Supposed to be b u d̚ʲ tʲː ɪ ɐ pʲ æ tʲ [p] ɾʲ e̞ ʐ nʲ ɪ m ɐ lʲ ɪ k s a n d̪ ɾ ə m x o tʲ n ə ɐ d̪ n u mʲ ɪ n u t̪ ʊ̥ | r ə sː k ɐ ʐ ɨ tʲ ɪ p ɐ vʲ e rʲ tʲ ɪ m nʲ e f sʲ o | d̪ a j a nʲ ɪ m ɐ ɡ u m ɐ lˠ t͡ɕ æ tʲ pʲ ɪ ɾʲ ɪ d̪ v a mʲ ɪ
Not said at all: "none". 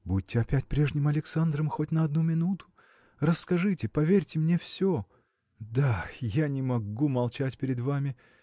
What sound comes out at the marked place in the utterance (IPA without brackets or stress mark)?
p